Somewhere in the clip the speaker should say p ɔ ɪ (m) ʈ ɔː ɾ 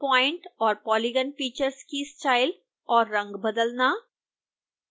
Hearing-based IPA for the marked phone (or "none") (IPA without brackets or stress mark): ɳ